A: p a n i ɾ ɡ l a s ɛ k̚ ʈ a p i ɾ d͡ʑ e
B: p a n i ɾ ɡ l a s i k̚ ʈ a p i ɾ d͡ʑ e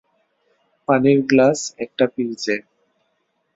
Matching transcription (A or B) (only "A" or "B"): A